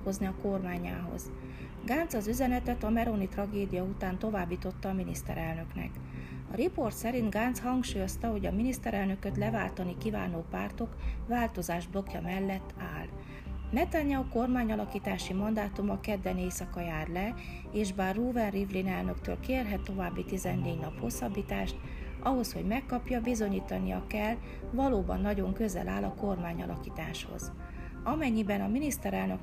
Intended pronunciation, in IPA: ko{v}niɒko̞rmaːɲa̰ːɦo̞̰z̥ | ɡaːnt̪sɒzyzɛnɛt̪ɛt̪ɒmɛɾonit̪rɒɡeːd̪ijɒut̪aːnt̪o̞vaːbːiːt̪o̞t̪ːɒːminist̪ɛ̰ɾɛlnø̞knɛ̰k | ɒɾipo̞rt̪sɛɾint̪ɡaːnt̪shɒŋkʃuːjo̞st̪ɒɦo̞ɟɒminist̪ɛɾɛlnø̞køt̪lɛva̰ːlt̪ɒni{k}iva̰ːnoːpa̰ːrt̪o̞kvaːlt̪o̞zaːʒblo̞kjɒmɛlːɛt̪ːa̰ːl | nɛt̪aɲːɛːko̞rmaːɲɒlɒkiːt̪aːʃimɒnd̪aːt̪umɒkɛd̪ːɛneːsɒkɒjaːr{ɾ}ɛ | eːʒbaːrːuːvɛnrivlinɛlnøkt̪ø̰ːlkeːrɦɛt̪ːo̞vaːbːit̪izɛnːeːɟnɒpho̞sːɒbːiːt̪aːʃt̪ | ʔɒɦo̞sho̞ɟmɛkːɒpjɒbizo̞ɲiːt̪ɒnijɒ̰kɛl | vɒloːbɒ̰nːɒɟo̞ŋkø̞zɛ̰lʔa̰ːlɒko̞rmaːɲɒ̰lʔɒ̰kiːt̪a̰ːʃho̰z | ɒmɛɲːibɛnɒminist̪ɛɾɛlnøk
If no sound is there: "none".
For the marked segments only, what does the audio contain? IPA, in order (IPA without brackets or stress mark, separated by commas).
z, k, l